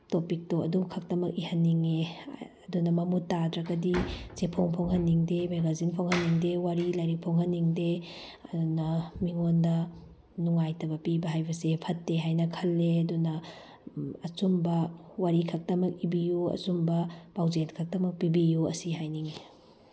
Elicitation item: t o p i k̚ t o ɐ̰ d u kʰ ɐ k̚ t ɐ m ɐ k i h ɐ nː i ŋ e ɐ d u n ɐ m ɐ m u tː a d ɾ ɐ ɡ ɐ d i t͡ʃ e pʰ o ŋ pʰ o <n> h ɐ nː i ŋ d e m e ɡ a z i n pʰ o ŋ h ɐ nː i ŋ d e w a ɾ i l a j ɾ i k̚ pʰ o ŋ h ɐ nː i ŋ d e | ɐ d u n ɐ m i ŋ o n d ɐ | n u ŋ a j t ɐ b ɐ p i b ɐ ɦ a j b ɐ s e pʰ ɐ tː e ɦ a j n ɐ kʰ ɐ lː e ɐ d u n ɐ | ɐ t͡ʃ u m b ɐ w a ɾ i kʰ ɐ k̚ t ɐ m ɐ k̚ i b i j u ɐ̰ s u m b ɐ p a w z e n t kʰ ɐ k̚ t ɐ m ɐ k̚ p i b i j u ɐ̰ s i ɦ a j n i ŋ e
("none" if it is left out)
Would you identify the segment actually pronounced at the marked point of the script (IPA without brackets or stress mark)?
ŋ